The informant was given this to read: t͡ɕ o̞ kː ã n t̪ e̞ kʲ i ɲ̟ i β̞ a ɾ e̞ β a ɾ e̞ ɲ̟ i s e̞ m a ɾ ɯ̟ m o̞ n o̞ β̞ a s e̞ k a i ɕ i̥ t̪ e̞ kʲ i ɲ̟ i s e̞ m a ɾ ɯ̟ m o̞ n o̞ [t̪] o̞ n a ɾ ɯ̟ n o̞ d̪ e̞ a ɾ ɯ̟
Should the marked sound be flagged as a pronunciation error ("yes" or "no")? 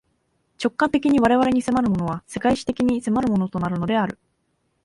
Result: no